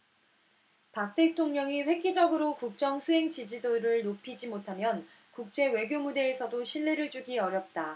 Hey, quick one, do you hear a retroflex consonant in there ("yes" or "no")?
yes